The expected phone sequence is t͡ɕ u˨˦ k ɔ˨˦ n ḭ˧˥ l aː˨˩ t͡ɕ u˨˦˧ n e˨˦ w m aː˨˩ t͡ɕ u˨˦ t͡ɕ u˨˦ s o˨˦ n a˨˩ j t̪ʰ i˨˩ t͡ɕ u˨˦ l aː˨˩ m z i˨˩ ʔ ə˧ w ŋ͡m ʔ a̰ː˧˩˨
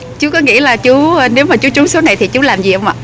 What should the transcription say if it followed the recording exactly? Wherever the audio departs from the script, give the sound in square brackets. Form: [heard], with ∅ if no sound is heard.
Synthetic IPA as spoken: t͡ɕ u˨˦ k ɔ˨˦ [ŋ] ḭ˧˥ l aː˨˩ t͡ɕ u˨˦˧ n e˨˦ w m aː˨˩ t͡ɕ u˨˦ t͡ɕ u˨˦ s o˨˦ n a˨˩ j t̪ʰ i˨˩ t͡ɕ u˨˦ l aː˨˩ m z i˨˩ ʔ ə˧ w ŋ͡m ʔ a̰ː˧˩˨